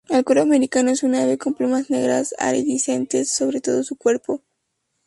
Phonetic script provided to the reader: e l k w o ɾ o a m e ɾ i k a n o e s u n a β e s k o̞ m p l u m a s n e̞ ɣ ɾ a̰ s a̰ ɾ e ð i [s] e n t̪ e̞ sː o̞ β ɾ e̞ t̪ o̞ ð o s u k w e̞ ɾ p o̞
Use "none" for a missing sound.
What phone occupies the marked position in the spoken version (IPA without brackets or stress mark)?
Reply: s